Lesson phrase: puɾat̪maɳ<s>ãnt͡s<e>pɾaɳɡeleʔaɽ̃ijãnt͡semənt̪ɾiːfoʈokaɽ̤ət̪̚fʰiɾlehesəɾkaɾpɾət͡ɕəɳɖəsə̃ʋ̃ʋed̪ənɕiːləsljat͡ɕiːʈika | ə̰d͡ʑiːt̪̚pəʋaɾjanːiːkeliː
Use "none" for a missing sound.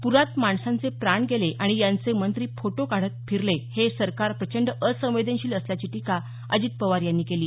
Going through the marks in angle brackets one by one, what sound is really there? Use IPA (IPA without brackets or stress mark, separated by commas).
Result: s, e